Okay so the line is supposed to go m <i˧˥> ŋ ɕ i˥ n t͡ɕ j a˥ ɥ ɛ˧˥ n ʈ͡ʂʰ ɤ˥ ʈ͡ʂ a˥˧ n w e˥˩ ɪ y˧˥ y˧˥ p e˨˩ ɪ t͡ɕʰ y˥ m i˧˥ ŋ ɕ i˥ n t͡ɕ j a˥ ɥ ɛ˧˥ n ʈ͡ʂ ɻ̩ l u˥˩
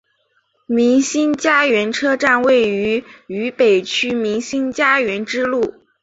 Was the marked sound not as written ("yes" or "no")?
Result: no